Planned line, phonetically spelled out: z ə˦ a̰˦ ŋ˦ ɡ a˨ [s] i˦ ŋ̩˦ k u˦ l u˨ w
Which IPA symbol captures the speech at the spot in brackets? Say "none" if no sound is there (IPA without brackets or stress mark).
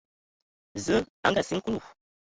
s